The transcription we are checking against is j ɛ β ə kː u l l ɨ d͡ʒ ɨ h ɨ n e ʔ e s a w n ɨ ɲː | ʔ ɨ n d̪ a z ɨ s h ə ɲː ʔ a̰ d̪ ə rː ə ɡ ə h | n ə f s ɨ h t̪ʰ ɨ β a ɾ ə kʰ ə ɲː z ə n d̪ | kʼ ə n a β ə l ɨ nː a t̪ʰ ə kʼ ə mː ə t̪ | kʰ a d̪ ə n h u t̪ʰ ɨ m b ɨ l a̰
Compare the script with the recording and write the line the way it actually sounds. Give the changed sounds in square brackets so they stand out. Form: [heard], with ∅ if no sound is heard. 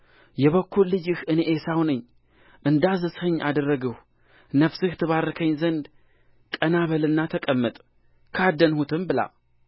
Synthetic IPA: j ɛ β ə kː u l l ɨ d͡ʒ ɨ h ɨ n e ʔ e s a w n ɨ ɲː | ʔ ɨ n d̪ a z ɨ s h ə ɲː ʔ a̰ d̪ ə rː ə ɡ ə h | n ə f s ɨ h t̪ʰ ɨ β a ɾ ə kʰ ə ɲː z ə n d̪ | kʼ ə n a β ə l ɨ nː a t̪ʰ ə kʼ ə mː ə [t̪ʼ] | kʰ a d̪ ə n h u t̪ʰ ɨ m b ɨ l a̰